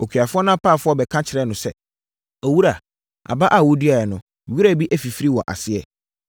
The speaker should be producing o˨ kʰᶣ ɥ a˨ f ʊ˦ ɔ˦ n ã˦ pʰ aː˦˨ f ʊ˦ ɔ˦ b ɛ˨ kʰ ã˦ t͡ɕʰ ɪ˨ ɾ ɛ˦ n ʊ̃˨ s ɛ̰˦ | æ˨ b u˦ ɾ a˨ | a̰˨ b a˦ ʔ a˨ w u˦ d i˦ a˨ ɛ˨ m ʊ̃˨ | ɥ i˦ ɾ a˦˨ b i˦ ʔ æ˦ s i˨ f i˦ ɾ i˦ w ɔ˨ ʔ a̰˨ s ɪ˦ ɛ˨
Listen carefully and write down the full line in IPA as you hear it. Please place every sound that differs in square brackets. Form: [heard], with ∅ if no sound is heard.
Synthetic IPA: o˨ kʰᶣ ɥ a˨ f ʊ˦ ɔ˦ n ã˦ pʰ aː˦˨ f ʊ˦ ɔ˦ b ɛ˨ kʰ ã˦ t͡ɕʰ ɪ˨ ɾ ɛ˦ n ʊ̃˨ s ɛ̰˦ | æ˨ [w] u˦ ɾ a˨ | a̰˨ b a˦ ʔ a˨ w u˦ d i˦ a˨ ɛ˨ [n] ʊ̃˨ | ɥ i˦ ɾ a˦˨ b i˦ ʔ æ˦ [f] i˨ f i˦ ɾ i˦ w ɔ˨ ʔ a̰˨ s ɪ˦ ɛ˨